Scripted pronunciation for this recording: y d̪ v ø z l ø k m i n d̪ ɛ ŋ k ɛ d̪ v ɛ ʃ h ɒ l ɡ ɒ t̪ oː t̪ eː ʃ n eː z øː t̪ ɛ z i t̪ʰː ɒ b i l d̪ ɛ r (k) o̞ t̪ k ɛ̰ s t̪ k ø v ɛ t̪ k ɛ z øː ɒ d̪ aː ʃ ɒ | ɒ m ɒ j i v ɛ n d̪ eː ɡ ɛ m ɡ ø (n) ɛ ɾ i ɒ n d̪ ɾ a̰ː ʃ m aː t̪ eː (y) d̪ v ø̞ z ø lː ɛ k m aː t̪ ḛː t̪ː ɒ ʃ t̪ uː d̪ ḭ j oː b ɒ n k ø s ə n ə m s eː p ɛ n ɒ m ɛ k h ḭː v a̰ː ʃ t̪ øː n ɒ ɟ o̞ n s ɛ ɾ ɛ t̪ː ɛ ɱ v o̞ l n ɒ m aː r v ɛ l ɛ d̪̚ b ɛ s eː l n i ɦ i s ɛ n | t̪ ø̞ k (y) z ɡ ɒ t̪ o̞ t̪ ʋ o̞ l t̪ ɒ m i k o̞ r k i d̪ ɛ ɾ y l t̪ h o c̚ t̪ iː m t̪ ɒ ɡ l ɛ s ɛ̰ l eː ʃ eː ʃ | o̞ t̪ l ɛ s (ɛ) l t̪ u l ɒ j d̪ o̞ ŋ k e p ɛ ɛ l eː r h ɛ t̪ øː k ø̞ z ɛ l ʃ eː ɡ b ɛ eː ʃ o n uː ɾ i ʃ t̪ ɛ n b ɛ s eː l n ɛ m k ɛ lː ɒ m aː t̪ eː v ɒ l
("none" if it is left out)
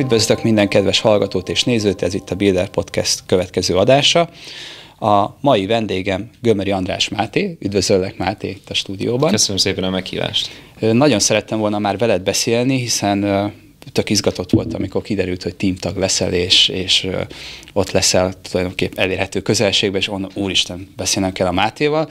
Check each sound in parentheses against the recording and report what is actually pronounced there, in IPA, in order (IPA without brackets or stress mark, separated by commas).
p, m, y, i, ɛ